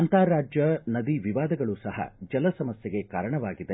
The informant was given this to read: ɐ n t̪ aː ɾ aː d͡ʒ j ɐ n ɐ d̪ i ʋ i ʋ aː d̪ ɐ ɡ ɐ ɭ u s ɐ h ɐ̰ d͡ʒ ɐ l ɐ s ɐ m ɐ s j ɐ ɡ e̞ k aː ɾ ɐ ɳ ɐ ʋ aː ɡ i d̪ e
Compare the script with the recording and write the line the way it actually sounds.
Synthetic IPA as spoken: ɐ n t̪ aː ɾ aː d͡ʒ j ɐ n ɐ d̪ i ʋ i ʋ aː d̪ ɐ ɡ ɐ ɭ u s ɐ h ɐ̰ d͡ʒ ɐ l ɐ s ɐ m ɐ s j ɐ ɡ e̞ k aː ɾ ɐ ɳ ɐ ʋ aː ɡ i d̪ e